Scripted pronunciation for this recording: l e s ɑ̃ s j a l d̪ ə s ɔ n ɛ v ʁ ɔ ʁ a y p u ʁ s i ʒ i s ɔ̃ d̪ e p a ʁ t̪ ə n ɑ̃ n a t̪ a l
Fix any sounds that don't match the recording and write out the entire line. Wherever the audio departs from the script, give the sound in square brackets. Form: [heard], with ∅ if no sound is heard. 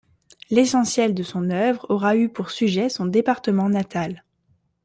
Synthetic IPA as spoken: l e s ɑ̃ s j [ɛ] l d̪ ə s [ɔ̃] n [œ] v ʁ ɔ ʁ a y p u ʁ s [y] ʒ [ɛ] s ɔ̃ d̪ e p a ʁ t̪ ə [m] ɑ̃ n a t̪ a l